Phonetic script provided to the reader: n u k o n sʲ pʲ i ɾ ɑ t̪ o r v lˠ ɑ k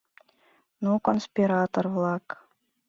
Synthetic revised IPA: n u k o n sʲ pʲ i ɾ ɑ t̪ o r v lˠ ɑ k